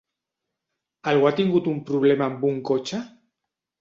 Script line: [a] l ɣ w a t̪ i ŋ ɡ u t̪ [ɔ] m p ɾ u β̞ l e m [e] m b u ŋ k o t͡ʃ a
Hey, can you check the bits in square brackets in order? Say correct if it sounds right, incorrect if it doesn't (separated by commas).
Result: correct, incorrect, incorrect